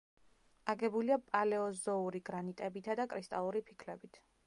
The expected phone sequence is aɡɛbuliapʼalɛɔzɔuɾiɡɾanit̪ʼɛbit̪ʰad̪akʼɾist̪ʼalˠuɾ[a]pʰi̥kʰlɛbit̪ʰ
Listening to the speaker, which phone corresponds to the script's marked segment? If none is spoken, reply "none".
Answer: i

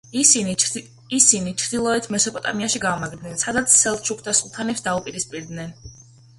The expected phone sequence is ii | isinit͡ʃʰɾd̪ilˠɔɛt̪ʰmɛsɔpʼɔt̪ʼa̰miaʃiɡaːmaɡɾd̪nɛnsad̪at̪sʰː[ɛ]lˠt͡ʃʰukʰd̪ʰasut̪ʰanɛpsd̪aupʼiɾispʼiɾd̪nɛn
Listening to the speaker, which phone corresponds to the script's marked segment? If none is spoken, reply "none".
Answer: ɛ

